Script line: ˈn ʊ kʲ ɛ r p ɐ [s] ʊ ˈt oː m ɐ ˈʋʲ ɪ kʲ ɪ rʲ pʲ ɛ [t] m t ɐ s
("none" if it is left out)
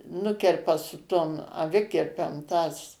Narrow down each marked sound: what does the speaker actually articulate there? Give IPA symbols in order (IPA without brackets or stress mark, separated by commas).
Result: s, none